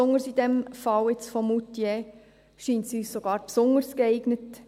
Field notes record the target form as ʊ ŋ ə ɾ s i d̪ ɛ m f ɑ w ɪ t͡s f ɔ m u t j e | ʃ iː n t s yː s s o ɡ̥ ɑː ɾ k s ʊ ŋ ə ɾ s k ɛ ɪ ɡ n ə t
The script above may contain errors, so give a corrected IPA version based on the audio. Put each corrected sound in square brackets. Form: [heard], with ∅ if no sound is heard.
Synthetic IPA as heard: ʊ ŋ ə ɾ s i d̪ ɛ m f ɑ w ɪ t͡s f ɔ m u t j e | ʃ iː n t s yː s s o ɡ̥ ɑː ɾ [p] s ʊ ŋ ə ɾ s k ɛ ɪ ɡ n ə t